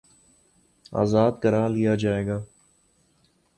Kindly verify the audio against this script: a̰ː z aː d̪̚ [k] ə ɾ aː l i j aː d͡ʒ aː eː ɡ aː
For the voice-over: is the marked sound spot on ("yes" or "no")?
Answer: yes